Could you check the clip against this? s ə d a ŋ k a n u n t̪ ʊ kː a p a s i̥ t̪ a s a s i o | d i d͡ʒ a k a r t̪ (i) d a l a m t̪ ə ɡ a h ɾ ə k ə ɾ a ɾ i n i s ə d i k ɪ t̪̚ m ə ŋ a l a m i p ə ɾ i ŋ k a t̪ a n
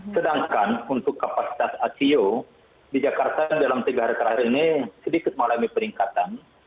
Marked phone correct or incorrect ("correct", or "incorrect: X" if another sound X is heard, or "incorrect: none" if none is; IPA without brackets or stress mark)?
incorrect: a